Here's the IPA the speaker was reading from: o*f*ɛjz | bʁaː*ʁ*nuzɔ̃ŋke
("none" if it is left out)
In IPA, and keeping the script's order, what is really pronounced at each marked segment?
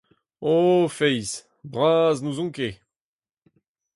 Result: f, z

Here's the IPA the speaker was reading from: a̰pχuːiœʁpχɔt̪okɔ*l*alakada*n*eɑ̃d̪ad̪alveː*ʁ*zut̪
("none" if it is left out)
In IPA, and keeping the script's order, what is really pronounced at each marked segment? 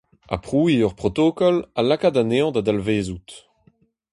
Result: l, n, none

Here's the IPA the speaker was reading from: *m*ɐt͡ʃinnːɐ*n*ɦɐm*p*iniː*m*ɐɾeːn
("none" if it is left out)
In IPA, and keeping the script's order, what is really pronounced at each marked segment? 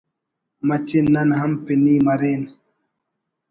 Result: m, n, p, m

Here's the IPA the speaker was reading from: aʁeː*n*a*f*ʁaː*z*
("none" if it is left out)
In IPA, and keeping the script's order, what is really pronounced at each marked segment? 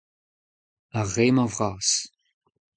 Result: m, v, s

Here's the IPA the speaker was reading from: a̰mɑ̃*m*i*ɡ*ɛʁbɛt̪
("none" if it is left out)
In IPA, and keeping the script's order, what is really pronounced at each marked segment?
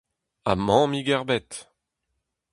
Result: m, ɡ

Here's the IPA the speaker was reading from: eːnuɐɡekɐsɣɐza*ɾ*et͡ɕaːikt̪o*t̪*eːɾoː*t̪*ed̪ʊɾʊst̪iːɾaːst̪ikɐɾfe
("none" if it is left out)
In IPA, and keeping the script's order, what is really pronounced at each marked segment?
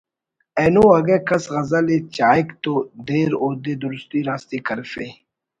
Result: l, d̪, d̪

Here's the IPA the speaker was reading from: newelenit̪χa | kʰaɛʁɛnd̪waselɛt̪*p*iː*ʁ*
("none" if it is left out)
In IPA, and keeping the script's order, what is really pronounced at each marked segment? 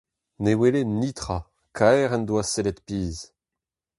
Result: p, z

